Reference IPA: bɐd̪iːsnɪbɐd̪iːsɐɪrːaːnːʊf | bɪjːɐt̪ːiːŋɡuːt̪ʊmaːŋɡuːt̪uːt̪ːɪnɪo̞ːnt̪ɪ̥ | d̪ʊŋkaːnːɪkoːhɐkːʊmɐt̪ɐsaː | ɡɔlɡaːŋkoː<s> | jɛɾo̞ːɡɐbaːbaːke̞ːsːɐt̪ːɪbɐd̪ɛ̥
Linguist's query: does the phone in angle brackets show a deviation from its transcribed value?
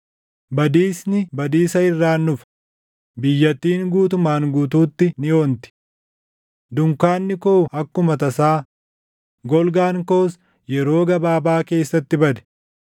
no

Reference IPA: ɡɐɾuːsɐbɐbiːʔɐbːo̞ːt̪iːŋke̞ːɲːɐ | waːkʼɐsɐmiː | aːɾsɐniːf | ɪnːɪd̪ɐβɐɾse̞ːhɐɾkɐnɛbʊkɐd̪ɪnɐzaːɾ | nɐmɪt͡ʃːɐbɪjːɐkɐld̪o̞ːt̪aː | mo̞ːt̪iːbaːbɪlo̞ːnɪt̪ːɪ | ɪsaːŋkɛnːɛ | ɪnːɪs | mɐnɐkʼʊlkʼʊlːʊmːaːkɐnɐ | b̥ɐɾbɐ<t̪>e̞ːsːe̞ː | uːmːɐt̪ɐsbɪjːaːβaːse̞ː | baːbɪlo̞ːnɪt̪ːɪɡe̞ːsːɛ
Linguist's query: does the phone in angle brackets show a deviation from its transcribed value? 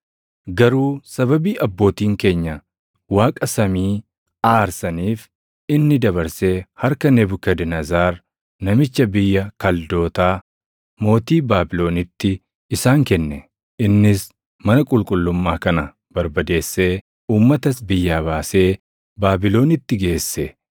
yes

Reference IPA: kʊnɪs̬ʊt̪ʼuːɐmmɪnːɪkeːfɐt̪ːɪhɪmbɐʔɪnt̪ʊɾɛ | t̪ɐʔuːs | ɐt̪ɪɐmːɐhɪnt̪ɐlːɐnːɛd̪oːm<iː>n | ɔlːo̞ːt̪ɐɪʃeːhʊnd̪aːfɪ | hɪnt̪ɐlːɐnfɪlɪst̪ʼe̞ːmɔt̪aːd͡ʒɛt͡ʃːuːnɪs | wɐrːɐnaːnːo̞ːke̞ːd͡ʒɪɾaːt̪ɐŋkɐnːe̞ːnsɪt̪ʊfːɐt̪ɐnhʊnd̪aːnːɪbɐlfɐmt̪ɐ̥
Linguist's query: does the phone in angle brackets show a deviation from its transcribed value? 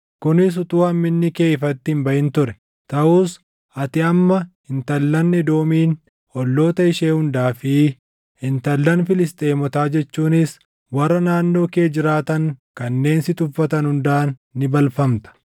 no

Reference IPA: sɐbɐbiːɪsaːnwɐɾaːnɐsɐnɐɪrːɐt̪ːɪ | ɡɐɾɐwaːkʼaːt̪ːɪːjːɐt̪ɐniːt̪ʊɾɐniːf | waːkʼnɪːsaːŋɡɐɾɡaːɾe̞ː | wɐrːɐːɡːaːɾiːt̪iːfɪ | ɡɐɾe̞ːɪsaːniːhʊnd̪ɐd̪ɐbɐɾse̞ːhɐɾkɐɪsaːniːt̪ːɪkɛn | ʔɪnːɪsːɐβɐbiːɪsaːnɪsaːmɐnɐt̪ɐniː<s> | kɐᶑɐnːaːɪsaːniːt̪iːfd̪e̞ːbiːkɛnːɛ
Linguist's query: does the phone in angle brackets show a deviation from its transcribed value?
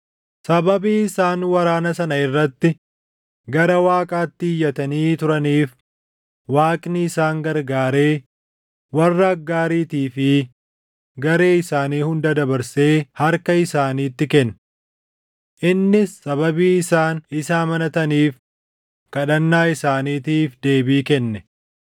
yes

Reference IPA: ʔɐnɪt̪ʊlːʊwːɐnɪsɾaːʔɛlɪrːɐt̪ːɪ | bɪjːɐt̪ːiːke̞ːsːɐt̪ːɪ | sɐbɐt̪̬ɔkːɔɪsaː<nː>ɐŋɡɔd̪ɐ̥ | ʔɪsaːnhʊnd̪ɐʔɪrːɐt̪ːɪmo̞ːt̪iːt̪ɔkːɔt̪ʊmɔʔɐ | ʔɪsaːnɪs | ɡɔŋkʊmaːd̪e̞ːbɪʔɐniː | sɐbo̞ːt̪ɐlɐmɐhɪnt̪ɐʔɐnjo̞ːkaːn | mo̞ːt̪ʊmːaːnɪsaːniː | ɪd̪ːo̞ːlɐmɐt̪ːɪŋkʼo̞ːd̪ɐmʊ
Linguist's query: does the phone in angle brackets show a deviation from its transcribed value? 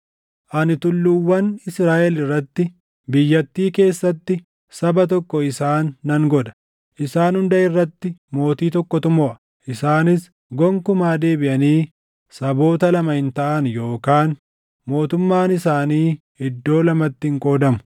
no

